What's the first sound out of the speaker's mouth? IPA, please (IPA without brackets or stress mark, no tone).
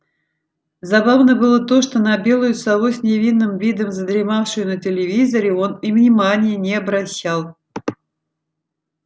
z